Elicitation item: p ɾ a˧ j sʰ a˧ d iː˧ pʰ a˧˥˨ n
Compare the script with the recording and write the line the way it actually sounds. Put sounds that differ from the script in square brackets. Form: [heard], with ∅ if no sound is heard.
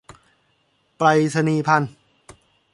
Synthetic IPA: p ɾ a˧ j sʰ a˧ [n] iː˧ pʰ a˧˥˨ n